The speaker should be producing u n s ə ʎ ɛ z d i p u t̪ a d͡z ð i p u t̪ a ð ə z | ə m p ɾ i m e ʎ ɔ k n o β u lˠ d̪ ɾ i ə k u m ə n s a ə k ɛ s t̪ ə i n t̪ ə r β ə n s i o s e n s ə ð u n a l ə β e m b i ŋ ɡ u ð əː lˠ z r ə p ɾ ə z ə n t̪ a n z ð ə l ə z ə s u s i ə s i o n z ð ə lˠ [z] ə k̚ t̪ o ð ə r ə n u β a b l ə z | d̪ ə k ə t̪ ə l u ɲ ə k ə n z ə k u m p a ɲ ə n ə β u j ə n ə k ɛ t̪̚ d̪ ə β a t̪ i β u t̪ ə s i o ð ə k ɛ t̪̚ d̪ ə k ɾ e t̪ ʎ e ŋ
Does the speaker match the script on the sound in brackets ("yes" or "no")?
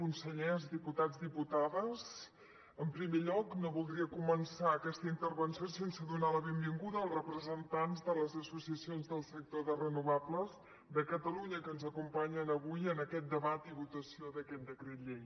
no